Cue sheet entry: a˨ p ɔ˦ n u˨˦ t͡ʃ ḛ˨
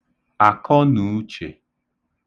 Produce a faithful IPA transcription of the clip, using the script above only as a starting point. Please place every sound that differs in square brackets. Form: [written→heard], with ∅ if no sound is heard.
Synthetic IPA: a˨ [p→k] ɔ˦ n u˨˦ t͡ʃ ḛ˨